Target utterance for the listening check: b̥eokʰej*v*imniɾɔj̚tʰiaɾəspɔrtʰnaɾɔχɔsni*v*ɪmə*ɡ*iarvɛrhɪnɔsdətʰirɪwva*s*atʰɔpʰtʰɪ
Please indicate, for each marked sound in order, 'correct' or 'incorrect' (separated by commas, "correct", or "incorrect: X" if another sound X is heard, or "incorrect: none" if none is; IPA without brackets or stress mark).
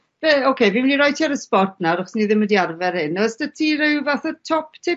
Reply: correct, incorrect: ð, incorrect: d, incorrect: θ